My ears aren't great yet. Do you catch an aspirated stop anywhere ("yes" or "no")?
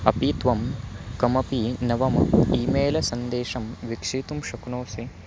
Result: no